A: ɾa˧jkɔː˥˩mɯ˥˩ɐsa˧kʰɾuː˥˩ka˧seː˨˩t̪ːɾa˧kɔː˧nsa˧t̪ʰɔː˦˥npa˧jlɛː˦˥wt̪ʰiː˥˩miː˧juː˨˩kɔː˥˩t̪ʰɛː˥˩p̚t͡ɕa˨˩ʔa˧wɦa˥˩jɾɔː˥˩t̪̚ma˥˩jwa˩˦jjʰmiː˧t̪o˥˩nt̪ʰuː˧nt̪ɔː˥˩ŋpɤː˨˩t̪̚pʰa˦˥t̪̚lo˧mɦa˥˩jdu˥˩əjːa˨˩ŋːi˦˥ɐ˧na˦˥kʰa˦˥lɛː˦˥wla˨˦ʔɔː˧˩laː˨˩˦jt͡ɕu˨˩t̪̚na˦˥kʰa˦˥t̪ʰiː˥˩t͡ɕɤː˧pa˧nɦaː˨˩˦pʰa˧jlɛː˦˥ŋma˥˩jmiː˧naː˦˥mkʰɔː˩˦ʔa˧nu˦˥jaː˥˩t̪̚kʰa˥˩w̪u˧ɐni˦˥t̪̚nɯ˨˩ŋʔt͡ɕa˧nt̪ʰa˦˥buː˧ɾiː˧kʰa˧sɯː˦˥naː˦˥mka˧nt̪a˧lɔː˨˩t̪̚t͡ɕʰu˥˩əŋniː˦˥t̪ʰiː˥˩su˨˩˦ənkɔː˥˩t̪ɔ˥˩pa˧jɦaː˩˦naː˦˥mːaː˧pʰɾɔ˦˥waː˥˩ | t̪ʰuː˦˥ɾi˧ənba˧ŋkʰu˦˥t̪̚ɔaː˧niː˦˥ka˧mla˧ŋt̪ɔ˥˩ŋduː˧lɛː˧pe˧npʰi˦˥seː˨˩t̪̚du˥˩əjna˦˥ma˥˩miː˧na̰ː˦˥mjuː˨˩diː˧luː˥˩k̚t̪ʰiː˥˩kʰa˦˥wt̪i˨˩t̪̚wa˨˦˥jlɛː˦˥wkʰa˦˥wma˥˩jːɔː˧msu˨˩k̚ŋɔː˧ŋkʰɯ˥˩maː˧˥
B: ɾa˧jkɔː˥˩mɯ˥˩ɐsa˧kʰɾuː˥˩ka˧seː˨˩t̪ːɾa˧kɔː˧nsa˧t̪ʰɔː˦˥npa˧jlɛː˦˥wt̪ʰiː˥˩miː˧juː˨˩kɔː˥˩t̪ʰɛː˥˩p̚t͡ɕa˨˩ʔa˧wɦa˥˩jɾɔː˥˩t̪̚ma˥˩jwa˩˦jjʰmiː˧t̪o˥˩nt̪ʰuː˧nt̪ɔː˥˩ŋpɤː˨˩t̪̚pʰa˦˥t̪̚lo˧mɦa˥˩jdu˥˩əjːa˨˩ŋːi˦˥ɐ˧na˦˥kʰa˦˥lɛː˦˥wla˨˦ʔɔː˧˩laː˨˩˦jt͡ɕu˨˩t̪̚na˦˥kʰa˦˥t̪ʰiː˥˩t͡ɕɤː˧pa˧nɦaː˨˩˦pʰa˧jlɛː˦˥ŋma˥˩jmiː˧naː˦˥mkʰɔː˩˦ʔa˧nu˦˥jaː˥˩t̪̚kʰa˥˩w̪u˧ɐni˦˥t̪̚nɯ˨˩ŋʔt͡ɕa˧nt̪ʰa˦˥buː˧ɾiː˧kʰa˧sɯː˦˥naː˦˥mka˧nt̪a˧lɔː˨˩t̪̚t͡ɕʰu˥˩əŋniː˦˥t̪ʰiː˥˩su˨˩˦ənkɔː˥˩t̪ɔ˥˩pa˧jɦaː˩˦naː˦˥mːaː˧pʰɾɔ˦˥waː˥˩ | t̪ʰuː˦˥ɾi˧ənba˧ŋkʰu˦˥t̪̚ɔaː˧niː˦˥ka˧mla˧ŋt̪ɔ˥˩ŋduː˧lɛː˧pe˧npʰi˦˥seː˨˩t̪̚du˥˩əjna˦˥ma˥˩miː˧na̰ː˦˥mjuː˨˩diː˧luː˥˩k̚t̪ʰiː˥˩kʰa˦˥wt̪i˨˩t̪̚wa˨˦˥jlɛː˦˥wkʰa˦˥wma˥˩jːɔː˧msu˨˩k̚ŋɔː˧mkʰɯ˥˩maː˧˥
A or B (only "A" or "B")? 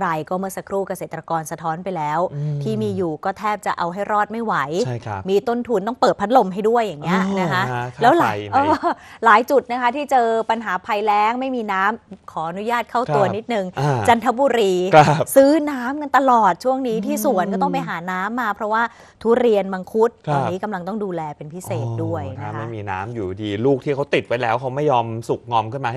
B